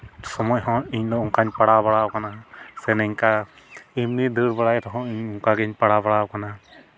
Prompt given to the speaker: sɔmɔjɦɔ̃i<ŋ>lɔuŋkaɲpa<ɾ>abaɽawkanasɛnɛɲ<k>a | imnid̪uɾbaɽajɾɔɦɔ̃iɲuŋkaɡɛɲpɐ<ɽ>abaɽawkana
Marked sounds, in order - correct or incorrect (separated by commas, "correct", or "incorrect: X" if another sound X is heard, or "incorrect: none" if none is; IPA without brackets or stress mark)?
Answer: incorrect: ɲ, incorrect: ɽ, correct, correct